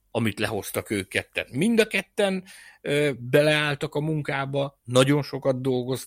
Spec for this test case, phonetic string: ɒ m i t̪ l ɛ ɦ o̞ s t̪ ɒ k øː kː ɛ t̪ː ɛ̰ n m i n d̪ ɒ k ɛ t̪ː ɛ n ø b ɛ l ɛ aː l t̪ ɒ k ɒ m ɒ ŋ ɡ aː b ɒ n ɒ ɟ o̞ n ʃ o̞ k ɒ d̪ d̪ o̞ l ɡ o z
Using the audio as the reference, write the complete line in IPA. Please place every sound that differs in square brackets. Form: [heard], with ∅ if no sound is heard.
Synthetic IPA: ɒ m i t̪ l ɛ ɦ o̞ s t̪ ɒ k øː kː ɛ t̪ː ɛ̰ n m i n d̪ ɒ k ɛ t̪ː ɛ n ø b ɛ l ɛ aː l t̪ ɒ k ɒ m [u] ŋ [k] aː b ɒ n ɒ ɟ o̞ n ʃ o̞ k ɒ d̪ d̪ o̞ l ɡ o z